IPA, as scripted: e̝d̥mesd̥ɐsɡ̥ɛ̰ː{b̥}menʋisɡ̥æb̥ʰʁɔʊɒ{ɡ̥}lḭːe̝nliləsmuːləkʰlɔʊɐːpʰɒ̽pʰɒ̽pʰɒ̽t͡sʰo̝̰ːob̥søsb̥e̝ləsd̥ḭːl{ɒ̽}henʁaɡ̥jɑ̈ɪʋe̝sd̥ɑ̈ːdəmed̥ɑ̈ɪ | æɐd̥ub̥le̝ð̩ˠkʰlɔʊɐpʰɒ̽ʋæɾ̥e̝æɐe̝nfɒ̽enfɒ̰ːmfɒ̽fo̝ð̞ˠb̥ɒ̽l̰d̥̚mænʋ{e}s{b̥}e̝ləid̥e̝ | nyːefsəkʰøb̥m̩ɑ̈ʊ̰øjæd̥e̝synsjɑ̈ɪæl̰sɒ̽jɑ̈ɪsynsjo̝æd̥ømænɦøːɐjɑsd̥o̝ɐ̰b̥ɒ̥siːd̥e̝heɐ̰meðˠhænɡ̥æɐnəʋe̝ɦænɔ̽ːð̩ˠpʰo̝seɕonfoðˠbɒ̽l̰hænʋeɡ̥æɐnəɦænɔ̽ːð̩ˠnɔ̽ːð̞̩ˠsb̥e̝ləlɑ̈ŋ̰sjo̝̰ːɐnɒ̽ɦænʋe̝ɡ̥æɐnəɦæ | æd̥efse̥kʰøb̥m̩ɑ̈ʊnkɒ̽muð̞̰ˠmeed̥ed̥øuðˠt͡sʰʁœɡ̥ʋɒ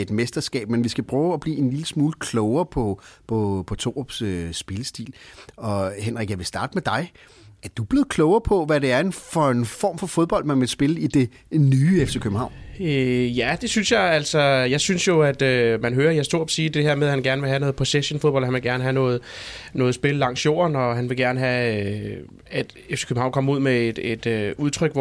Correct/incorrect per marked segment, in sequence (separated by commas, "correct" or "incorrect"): correct, incorrect, correct, correct, correct